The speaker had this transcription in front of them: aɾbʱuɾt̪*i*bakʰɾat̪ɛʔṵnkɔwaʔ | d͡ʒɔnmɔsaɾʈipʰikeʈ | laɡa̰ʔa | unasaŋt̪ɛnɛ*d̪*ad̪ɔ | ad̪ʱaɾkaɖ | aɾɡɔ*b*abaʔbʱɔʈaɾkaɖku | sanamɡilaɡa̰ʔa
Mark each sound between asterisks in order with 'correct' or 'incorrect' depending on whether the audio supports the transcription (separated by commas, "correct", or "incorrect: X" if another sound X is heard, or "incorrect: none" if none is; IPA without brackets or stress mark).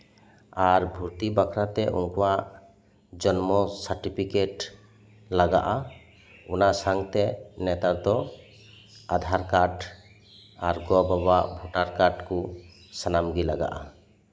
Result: correct, incorrect: t̪, correct